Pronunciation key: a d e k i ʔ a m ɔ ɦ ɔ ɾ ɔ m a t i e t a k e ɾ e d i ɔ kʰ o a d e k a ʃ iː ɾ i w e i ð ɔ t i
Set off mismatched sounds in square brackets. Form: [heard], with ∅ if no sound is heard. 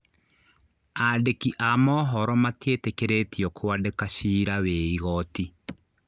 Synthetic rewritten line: a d e k i ʔ a m ɔ ɦ ɔ ɾ ɔ m a t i e t [e] k e ɾ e [t] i ɔ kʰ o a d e k a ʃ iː ɾ [a] w e i [ɣ] ɔ t i